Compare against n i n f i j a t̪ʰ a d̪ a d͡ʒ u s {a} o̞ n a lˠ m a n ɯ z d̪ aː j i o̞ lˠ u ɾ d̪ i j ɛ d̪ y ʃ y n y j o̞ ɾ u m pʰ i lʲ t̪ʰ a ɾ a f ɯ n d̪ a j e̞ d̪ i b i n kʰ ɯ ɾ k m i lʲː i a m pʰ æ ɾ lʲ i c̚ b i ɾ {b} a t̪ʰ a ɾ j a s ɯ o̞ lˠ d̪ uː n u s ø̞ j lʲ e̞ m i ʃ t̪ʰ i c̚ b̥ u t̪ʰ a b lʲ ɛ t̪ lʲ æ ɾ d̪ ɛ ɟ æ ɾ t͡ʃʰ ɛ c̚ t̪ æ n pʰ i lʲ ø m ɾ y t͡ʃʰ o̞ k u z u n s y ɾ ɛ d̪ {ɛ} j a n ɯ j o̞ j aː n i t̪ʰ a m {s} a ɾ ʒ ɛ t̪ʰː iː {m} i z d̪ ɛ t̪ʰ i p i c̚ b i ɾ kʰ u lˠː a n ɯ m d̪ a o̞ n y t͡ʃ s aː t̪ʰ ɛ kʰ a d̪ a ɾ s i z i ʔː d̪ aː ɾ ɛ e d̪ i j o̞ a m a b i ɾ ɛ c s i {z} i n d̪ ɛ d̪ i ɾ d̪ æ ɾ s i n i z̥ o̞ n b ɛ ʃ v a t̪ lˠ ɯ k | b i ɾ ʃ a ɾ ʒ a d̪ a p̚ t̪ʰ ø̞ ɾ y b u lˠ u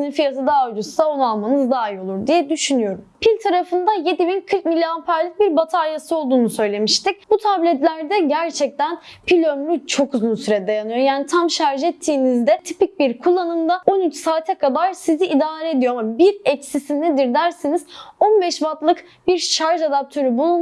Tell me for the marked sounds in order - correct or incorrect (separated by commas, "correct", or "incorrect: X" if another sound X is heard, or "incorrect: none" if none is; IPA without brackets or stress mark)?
correct, correct, incorrect: a, incorrect: ʃ, incorrect: n, incorrect: s